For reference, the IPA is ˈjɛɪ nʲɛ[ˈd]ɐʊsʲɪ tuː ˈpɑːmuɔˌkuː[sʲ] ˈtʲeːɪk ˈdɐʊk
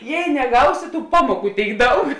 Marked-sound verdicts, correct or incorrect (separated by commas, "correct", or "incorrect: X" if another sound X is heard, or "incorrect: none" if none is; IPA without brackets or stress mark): incorrect: ɡ, incorrect: none